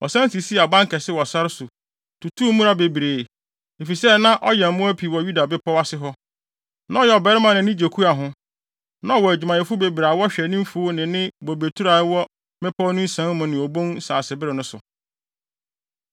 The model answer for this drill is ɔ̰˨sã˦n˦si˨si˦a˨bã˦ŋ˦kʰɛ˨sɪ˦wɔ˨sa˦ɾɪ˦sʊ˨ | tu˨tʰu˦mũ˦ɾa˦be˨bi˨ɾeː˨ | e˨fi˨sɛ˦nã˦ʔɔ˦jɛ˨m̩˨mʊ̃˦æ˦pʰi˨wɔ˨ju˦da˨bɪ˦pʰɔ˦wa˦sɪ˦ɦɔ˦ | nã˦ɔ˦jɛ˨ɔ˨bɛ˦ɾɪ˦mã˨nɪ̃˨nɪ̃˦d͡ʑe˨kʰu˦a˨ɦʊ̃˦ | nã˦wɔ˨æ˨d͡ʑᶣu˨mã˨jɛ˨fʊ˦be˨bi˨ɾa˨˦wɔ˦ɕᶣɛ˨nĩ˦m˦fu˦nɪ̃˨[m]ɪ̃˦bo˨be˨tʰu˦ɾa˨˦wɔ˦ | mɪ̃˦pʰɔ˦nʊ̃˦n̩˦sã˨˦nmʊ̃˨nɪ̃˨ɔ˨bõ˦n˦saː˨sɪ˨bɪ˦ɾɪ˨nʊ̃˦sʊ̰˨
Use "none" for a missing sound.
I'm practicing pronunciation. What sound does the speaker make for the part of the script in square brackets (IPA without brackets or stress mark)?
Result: n